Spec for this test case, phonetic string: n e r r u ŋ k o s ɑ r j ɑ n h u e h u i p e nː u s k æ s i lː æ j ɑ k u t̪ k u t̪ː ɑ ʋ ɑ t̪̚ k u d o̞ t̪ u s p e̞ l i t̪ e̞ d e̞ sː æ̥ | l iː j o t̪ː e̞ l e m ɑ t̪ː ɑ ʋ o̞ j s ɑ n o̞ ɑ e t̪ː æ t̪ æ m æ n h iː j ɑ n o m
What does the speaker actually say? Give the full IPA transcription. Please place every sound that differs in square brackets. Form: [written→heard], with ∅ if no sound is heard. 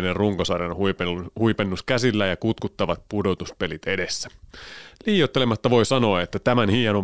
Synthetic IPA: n e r r u ŋ k o s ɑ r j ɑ n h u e h u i p e nː u s k æ s i lː æ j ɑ k u t̪ k u t̪ː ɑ ʋ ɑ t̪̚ [k→p] u d o̞ t̪ u s p e̞ l i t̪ e̞ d e̞ sː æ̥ | l iː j o t̪ː e̞ l e m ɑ t̪ː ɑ ʋ o̞ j s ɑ n o̞ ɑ e t̪ː æ t̪ æ m æ n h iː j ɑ n o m